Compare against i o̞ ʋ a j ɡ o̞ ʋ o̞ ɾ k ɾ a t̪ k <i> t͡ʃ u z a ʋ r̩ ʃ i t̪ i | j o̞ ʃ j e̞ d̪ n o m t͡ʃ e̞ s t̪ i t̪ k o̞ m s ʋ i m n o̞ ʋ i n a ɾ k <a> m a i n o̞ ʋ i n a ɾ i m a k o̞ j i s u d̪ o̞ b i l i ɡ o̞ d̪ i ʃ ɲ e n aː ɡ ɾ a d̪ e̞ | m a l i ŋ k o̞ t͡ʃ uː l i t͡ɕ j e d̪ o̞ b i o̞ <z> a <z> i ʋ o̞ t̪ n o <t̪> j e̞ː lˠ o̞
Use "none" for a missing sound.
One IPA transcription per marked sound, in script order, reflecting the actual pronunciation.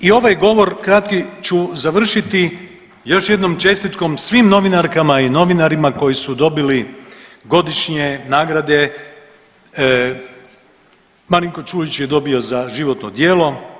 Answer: i, a, z, ʒ, d̪

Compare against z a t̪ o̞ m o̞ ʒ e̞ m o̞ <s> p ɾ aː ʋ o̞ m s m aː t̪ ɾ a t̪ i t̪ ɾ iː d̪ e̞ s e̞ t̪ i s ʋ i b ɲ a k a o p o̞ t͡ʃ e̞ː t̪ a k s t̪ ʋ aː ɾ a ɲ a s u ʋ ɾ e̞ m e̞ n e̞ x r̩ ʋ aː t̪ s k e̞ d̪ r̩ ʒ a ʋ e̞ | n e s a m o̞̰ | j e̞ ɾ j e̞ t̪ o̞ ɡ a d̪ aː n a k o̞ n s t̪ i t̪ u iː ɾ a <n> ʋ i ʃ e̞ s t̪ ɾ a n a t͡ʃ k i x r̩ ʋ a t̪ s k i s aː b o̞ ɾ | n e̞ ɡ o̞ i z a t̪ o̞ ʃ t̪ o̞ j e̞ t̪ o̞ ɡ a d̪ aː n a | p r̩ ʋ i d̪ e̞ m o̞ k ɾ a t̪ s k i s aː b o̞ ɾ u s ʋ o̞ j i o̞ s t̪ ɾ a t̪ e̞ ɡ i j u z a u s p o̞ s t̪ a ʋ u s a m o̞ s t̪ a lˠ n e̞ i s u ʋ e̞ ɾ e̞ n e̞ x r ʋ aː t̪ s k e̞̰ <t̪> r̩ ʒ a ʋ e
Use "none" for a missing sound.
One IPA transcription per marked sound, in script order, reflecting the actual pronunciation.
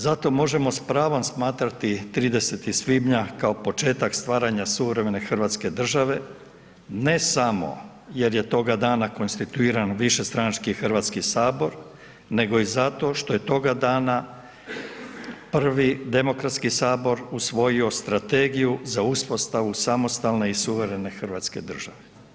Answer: s, n, d̪

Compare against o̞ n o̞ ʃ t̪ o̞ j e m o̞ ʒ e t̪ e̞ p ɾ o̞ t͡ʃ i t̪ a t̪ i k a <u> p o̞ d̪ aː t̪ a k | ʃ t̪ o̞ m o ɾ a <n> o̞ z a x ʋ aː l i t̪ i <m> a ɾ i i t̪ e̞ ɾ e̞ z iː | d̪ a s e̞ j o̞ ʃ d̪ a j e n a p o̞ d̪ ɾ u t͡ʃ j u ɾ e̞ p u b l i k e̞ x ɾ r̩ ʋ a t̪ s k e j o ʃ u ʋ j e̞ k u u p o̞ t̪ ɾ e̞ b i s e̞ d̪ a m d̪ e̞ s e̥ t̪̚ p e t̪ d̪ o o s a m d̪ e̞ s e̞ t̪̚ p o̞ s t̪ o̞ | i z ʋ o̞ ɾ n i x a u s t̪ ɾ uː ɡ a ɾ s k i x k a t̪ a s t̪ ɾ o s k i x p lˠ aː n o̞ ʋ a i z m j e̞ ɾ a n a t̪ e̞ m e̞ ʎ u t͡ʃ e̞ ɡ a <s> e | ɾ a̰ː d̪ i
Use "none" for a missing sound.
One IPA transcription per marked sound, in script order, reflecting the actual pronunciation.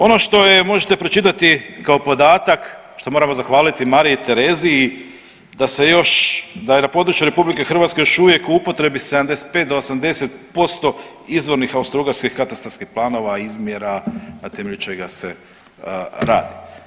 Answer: o, m, m, s

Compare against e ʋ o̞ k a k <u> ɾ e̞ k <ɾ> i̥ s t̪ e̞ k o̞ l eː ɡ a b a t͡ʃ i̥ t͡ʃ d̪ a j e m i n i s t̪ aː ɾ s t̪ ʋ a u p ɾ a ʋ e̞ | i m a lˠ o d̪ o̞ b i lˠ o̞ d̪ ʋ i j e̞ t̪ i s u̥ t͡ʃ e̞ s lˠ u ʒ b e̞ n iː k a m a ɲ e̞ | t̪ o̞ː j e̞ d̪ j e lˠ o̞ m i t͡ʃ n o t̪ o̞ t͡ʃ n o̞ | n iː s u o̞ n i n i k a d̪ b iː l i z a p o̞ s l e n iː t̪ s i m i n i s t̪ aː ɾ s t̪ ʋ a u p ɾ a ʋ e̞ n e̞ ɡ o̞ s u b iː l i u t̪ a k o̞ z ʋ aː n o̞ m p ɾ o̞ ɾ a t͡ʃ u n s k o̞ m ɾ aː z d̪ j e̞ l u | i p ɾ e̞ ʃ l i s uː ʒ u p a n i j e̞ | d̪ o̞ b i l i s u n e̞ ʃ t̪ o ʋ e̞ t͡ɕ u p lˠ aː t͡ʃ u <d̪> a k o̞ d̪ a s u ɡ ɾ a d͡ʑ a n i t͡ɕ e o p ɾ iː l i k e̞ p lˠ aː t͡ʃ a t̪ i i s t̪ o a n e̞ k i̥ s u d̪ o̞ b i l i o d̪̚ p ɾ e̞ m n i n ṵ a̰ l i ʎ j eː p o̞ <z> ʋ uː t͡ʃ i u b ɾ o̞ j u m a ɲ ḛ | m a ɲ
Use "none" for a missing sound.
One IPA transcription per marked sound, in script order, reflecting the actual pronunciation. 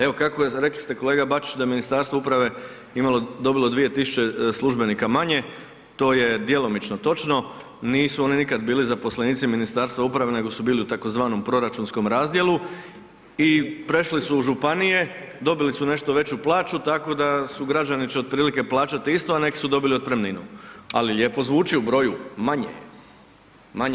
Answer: o, l, t̪, z

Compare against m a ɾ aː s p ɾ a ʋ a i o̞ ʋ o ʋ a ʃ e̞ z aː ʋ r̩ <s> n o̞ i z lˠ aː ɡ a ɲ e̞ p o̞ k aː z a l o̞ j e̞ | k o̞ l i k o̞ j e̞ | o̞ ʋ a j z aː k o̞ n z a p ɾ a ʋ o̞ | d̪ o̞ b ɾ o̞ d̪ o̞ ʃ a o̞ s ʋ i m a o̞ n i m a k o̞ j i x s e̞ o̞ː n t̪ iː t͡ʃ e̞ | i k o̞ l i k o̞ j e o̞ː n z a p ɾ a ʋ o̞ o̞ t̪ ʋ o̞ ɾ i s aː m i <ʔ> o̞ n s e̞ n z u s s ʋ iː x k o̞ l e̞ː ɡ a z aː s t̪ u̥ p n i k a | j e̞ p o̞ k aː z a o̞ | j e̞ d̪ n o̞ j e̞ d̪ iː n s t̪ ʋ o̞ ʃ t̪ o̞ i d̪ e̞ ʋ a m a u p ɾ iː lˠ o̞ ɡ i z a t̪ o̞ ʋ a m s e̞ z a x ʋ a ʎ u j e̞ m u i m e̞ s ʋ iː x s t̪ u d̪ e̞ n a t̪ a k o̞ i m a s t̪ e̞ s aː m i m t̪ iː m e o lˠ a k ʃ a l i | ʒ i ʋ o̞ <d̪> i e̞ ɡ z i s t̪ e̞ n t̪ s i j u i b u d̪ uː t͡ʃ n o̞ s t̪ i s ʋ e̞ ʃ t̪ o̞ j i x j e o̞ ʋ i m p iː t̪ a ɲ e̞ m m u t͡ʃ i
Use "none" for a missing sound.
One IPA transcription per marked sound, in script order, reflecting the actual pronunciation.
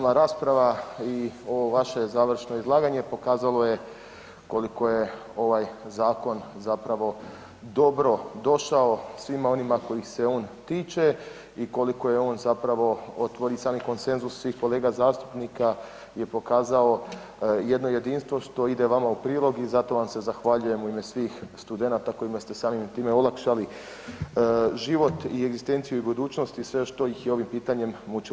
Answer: ʃ, k, t̪

